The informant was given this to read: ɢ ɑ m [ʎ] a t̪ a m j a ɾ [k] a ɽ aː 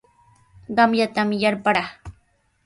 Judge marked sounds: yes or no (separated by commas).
no, no